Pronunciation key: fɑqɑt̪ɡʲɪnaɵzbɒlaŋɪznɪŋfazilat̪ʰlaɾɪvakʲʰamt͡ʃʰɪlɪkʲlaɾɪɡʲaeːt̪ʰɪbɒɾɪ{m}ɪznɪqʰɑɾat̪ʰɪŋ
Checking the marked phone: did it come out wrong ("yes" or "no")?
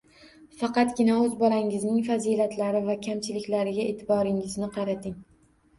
yes